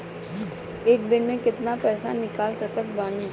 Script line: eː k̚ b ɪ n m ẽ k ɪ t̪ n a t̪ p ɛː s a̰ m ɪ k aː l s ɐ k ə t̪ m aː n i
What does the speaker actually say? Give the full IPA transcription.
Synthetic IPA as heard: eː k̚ b ɪ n m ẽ k ɪ t̪ n a p ɛː s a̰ n ɪ k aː l s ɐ k ə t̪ b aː n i